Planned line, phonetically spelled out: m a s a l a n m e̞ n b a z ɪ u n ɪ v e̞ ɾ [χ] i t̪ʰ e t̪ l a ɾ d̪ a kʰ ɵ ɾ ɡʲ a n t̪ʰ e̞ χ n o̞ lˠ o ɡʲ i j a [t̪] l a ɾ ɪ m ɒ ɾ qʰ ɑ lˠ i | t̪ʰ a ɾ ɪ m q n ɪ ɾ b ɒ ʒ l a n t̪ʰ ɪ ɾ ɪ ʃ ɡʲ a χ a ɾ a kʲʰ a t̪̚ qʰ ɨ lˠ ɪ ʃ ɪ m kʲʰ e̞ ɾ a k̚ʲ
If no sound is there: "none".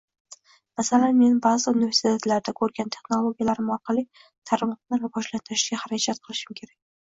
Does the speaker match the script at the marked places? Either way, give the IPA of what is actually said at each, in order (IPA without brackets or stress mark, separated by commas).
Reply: s, none